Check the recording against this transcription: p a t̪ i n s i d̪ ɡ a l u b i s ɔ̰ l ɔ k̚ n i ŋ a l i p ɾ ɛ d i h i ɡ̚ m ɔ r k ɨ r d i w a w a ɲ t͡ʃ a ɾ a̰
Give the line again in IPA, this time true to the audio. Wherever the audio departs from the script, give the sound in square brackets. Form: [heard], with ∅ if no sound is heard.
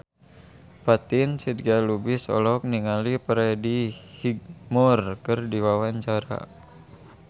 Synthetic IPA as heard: p a t̪ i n s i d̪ ɡ a l u b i s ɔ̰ l ɔ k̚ n i ŋ a l i p ɾ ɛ d i h i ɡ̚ m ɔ r k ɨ r d i w a w a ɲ t͡ʃ a ɾ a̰